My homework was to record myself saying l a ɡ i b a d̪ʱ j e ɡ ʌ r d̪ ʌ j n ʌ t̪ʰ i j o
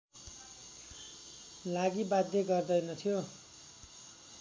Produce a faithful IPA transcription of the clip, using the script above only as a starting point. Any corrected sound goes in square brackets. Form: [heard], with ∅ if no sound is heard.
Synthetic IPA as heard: l a ɡ i b a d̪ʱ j e ɡ ʌ r d̪ ʌ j n ʌ t̪ʰ i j o